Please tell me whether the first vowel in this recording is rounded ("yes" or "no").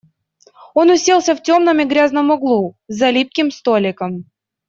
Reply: yes